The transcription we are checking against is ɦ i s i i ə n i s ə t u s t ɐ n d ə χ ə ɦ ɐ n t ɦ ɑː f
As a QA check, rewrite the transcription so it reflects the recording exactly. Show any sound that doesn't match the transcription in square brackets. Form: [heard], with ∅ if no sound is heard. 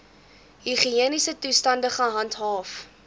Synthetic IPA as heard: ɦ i [χ] i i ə n i s ə t u s t ɐ n d ə χ ə ɦ ɐ n t ɦ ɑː f